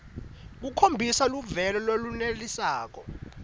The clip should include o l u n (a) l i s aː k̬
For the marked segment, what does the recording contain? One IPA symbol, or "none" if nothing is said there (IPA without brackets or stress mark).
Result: e